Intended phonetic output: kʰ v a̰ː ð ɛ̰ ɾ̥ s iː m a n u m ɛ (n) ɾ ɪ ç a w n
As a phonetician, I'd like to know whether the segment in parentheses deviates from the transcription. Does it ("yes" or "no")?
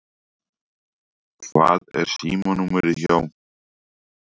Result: yes